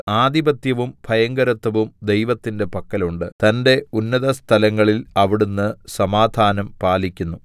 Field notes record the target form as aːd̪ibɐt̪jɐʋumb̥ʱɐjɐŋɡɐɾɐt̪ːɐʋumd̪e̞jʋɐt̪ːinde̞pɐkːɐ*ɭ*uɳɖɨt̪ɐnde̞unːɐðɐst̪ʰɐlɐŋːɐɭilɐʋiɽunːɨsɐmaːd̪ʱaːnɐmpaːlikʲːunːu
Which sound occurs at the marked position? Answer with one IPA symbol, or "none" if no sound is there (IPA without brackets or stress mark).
l